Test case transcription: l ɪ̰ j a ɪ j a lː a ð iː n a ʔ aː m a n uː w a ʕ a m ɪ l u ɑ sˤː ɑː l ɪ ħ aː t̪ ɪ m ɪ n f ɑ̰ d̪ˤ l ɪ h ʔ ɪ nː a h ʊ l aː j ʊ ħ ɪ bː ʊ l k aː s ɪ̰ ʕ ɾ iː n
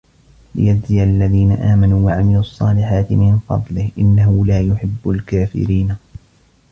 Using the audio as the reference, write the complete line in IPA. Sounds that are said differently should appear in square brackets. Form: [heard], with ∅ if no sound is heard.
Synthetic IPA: l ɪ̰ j a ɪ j a lː a ð iː n a ʔ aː m a n uː w a ʕ a m ɪ l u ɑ sˤː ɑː l ɪ ħ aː t̪ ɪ m ɪ n f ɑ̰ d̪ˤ l ɪ h ʔ ɪ nː a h ʊ l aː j ʊ ħ ɪ bː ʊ l k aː [f] ɪ̰ [∅] ɾ iː n